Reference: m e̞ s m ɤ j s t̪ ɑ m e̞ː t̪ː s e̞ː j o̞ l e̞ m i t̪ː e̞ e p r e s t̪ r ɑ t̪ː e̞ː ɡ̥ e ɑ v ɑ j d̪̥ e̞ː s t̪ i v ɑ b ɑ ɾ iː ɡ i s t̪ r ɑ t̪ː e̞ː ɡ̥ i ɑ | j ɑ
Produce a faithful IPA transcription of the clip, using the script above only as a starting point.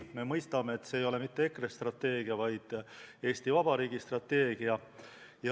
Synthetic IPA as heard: m e̞ m ɤ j s t̪ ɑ m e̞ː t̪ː s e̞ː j o̞ l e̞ m i t̪ː e̞ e k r e s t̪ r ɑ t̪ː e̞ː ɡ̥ i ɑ v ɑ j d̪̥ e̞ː s t̪ i v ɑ b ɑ ɾ iː ɡ i s t̪ r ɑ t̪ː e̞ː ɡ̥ i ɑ | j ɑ